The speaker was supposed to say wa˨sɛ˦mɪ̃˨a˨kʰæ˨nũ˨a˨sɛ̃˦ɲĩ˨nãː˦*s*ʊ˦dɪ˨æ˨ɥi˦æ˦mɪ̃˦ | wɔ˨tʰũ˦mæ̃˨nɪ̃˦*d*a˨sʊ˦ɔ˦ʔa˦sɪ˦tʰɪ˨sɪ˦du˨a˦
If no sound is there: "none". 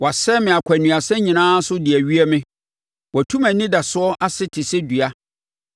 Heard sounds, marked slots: s, d

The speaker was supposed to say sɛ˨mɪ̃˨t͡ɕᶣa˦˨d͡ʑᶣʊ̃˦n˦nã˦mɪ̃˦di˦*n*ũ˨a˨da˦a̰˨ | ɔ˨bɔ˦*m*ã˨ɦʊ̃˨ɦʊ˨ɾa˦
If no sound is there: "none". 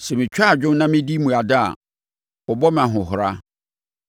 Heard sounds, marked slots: m, m

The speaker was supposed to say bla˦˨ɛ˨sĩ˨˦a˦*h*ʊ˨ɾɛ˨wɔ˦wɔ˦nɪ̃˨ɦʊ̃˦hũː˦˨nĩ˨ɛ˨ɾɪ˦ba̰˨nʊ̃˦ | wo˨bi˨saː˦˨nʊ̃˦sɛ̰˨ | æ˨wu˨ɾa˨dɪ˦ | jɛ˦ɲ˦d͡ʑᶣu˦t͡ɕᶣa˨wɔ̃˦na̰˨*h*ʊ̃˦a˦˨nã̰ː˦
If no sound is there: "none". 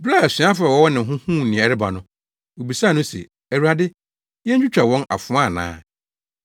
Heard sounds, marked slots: f, f

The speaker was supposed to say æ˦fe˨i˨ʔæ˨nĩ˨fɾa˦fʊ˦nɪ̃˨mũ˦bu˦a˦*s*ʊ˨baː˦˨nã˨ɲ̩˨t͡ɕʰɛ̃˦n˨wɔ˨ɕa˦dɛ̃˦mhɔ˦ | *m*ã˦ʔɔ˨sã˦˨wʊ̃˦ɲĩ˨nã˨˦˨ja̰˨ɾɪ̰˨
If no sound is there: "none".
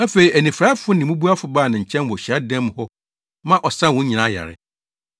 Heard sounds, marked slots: f, m

